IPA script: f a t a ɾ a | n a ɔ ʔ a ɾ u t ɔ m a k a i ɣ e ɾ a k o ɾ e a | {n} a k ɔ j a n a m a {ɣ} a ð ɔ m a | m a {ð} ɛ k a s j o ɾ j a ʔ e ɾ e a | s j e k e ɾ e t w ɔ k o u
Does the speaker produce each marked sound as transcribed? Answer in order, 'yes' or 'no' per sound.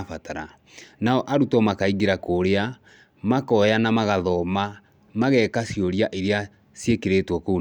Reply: no, yes, no

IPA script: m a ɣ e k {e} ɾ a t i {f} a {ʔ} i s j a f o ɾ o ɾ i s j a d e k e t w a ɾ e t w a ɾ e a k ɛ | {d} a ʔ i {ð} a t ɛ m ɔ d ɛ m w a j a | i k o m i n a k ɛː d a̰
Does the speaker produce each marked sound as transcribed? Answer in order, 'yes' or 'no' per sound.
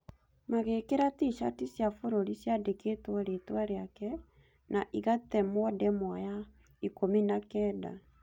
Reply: yes, no, no, no, no

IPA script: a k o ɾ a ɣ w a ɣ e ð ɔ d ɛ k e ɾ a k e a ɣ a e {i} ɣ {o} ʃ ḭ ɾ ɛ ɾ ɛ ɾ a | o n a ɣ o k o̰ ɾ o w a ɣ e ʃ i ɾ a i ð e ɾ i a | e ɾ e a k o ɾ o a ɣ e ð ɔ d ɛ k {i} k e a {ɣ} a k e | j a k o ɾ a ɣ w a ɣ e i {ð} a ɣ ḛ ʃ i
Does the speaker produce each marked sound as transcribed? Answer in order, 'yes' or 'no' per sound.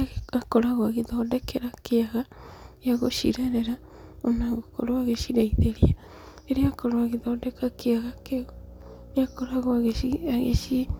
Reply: no, yes, no, yes, no

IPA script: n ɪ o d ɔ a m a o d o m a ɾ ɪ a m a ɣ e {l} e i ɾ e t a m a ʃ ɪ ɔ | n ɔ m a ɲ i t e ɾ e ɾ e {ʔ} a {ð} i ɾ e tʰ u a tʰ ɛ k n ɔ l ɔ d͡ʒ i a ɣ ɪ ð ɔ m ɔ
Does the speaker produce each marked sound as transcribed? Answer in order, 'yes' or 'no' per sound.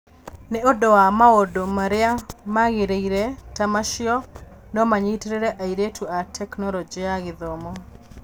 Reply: no, yes, no

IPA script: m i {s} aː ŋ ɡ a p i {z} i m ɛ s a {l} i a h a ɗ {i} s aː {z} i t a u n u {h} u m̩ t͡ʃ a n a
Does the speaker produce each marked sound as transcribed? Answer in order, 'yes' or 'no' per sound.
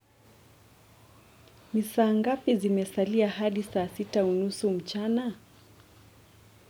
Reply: yes, yes, yes, yes, no, no

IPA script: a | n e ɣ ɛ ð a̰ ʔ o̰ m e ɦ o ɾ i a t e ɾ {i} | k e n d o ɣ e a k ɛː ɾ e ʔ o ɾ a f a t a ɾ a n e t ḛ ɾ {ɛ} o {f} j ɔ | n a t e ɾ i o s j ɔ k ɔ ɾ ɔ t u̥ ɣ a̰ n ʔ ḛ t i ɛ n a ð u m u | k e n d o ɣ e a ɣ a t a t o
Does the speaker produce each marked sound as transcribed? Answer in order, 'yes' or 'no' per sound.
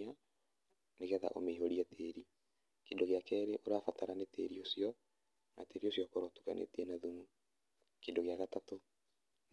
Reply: yes, no, no

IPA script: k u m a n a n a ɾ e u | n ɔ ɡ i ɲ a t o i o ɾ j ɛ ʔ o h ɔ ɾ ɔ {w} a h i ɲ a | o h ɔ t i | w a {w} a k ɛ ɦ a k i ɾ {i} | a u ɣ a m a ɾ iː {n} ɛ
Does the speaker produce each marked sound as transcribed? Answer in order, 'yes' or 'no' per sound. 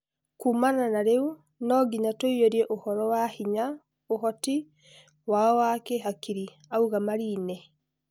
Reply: yes, yes, yes, yes

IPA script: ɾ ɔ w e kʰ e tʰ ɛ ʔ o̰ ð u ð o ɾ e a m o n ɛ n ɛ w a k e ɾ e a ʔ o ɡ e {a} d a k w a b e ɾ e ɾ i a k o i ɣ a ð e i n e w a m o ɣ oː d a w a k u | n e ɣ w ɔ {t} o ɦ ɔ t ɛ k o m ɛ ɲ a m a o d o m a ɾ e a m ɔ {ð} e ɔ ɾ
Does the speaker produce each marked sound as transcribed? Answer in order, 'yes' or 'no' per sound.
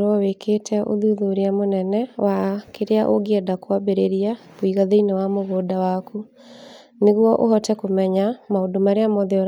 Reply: no, no, yes

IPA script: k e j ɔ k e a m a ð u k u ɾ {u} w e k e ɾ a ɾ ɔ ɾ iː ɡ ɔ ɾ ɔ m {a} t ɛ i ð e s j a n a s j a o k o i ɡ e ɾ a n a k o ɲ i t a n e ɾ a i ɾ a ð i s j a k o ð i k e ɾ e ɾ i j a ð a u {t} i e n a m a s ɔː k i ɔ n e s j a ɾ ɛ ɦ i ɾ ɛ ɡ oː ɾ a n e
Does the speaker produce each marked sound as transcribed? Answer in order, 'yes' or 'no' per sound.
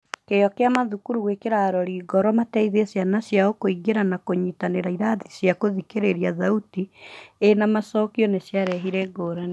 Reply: yes, yes, yes

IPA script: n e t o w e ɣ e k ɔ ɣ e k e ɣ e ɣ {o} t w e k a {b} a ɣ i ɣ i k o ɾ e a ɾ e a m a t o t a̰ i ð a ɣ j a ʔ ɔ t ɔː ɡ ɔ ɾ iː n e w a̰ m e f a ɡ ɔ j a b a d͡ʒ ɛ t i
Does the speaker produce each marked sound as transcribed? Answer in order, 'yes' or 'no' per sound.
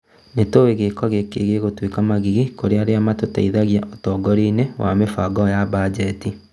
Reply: yes, no

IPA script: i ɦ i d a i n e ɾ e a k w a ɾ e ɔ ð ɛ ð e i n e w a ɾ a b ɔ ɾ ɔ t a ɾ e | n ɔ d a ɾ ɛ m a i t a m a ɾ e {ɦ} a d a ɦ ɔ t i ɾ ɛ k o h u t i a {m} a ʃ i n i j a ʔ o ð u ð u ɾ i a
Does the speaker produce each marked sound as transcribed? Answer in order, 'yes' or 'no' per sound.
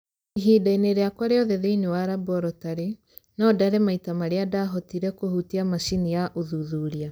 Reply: no, yes

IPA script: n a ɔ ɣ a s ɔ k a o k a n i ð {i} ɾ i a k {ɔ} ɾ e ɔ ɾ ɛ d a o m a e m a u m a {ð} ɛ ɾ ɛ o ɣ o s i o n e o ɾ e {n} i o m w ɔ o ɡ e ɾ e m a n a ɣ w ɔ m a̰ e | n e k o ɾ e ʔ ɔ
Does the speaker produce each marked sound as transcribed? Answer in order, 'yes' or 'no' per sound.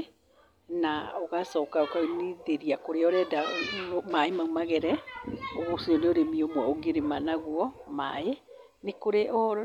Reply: no, no, no, no

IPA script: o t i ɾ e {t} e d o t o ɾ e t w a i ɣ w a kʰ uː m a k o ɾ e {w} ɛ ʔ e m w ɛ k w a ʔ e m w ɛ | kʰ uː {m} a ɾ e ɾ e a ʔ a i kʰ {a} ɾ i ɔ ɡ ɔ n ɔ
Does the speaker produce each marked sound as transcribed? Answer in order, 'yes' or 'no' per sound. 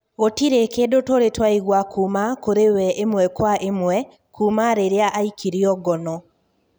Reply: no, yes, yes, no

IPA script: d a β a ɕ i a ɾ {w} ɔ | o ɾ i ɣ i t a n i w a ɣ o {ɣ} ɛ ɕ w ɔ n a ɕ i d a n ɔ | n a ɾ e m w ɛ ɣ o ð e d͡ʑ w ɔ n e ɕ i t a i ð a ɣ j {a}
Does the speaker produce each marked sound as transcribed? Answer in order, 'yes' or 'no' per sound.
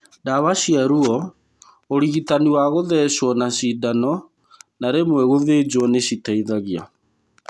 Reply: no, no, yes

